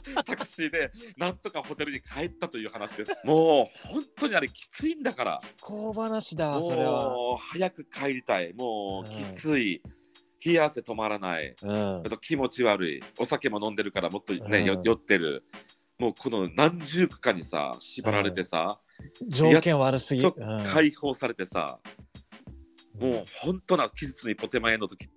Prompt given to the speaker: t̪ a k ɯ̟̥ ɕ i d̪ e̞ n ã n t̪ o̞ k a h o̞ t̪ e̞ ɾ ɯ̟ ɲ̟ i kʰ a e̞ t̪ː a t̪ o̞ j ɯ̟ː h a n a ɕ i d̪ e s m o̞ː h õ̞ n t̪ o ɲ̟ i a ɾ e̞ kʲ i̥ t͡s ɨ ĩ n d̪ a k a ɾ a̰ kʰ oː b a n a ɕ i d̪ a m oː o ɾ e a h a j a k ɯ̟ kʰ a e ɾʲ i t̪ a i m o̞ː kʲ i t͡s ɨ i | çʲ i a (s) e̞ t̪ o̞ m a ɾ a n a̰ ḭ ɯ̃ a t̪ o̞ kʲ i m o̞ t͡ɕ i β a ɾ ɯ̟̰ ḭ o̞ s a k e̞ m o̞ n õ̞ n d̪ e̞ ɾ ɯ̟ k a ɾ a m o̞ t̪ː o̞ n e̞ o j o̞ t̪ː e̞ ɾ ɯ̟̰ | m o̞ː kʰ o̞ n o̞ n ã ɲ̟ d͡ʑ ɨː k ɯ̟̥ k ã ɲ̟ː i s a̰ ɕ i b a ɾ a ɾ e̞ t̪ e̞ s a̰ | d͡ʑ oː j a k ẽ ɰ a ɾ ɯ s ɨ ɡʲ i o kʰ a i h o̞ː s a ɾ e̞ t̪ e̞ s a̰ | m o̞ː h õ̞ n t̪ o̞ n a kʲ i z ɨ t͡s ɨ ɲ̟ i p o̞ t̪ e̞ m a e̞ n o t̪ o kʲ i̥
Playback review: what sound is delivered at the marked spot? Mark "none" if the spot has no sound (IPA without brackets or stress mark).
s